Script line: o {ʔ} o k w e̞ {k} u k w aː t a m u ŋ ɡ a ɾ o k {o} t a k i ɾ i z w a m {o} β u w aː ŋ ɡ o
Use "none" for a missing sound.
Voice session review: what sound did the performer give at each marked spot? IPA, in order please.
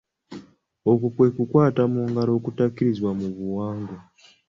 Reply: k, k, u, u

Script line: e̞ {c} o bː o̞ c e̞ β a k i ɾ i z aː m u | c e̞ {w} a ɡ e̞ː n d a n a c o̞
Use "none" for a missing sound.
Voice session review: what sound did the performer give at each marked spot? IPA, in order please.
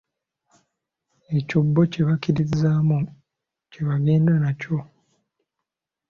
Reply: c, β

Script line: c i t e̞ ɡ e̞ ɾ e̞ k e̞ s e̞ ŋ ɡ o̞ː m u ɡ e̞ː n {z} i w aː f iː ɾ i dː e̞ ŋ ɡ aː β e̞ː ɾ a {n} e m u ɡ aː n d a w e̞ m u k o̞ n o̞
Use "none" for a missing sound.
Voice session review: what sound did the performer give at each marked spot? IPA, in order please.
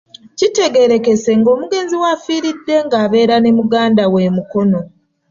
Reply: z, n

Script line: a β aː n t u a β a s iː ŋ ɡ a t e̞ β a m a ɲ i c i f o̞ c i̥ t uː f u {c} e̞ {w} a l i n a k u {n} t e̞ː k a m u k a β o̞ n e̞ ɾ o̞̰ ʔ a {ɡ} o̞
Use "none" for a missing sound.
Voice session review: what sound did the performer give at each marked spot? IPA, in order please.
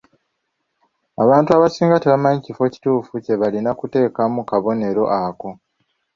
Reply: c, β, none, k

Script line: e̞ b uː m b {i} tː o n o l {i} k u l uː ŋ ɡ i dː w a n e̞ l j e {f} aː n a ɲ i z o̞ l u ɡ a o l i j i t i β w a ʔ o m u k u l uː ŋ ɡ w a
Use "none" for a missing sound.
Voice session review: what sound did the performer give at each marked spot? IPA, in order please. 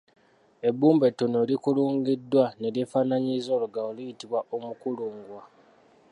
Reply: e, i, f

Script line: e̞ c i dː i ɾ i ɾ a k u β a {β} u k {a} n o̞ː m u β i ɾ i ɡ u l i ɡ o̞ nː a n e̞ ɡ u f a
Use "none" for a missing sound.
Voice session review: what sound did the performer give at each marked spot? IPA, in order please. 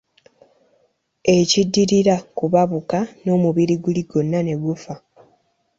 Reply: β, a

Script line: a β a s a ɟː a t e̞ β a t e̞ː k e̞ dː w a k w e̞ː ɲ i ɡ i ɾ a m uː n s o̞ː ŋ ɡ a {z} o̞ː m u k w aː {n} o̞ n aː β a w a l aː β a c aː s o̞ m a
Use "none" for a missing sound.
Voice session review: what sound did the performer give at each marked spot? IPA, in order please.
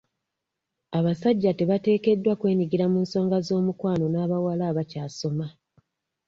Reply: z, n

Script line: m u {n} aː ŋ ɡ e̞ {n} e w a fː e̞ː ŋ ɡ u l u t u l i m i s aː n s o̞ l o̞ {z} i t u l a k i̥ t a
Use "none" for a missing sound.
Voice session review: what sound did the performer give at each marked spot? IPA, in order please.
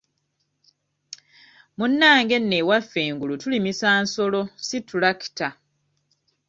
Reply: nː, nː, s

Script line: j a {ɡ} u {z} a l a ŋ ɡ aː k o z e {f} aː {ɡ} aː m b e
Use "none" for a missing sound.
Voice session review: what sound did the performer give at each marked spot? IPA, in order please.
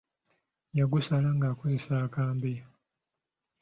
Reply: ɡ, s, s, k

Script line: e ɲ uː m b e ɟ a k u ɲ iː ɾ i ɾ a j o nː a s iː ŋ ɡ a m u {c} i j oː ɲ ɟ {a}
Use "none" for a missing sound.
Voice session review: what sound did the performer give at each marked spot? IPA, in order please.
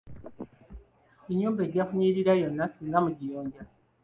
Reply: ɟ, a

